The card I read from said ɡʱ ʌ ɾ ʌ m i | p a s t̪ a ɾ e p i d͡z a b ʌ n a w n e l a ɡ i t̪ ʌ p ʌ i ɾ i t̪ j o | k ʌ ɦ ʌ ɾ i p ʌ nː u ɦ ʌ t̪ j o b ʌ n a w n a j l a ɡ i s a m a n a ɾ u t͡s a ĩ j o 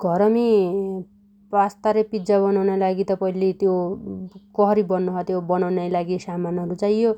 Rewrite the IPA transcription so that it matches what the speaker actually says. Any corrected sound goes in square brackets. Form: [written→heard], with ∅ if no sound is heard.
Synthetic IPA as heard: ɡʱ ʌ ɾ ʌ m i | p a s t̪ a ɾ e p i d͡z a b ʌ n a w n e l a ɡ i t̪ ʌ p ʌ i [ɾ→l] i t̪ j o | k ʌ ɦ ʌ ɾ i [p→b] ʌ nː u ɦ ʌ t̪ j o b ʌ n a w n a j l a ɡ i s a m a n [a→ʌ] ɾ u t͡s a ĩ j o